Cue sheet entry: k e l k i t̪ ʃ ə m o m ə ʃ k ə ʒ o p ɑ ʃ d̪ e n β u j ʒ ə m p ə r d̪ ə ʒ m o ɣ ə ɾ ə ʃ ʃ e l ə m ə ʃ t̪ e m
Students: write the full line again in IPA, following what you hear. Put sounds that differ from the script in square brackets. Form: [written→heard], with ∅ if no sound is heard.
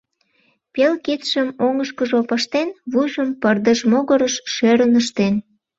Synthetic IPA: [k→p] e l k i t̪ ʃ ə m o [m→ŋ] ə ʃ k ə ʒ o p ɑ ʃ [d̪→t̪] e n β u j ʒ ə m p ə r d̪ ə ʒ m o ɣ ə ɾ ə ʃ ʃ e [l→ɾ] ə [m→n] ə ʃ t̪ e [m→n]